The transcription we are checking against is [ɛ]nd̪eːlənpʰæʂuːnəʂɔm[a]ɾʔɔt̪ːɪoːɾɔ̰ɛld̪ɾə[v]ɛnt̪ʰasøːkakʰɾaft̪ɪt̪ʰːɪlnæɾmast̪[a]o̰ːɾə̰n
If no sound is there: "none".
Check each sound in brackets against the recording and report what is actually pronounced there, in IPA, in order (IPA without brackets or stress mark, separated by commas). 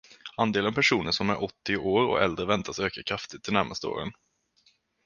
a, æ, v, ə